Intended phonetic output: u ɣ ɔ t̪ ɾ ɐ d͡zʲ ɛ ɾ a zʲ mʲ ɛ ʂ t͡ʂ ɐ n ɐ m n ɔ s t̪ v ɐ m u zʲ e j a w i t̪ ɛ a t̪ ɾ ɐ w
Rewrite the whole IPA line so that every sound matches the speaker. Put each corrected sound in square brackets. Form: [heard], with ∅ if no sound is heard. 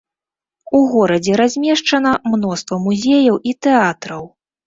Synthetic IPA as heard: u ɣ ɔ [∅] ɾ ɐ d͡zʲ ɛ ɾ a zʲ mʲ ɛ ʂ t͡ʂ ɐ n ɐ m n ɔ s t̪ v ɐ m u zʲ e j [ɐ] w i t̪ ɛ a t̪ ɾ ɐ w